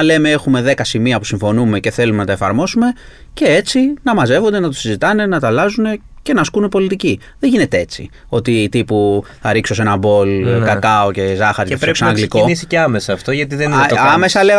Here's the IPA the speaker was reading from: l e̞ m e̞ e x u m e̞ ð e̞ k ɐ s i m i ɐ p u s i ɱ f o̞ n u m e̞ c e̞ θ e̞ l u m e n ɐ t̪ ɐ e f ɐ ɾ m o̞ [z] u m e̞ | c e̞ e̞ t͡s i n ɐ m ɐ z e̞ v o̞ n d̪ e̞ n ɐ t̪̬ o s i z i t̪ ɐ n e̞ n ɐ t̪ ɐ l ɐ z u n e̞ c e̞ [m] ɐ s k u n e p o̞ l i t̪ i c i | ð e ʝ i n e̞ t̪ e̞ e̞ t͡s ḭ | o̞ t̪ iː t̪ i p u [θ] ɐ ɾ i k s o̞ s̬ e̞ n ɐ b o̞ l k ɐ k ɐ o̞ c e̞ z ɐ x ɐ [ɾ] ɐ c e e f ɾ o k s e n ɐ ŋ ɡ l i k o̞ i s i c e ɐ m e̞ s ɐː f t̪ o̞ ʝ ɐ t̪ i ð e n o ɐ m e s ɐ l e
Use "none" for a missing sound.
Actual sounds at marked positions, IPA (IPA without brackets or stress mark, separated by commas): s, n, θ, ɾ